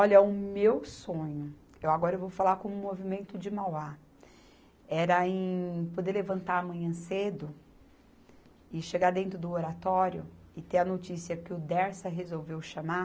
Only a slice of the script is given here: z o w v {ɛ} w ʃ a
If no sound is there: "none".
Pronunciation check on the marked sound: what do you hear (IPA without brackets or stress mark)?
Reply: e